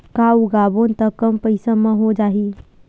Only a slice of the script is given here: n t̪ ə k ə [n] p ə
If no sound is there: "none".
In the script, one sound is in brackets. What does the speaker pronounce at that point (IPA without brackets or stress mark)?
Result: m